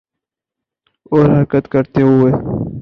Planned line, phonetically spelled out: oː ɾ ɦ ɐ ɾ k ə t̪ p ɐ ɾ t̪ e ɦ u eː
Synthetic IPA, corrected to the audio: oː ɾ ɦ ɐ ɾ k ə t̪ k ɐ ɾ t̪ e ɦ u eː